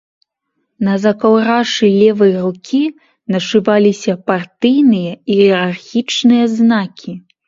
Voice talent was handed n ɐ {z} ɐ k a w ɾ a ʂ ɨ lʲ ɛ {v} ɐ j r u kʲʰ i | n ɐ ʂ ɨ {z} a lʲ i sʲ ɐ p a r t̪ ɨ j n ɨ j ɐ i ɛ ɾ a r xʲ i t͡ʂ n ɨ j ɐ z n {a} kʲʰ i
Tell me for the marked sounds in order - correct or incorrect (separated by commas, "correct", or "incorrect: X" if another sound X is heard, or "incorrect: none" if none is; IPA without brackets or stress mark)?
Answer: correct, correct, incorrect: v, correct